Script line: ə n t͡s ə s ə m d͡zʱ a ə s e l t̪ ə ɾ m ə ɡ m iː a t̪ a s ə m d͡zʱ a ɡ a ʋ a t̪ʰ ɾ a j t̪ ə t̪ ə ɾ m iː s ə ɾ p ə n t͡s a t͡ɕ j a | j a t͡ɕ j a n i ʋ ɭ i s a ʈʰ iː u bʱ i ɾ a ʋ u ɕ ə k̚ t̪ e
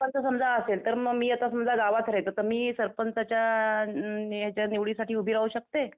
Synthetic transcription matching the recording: ə n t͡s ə s ə m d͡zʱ a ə s e l t̪ ə ɾ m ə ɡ m iː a t̪ a s ə m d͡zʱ a ɡ a ʋ a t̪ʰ ɾ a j t̪ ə t̪ ə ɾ m iː s ə ɾ p ə n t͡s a t͡ɕ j a | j a t͡ɕ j a n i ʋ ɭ i s a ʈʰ iː u bʱ i ɾ a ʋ u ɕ ə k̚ t̪ e

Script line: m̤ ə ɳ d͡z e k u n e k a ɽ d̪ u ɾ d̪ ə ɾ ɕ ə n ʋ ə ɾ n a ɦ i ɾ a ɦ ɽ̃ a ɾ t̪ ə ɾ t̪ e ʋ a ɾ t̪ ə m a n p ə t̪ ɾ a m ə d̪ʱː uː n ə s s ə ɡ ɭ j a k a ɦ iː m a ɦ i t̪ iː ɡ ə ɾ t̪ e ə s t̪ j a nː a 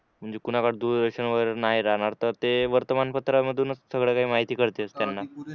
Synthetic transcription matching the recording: m̤ ə ɳ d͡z e k u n a k a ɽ d̪ u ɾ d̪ ə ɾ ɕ ə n ʋ ə ɾ n a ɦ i ɾ a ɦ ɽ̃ a ɾ t̪ ə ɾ t̪ e ʋ ə ɾ t̪ ə m a n p ə t̪ ɾ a m ə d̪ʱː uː n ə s s ə ɡ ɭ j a k a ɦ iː m a ɦ i t̪ iː k ə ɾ t̪ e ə s t̪ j a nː a

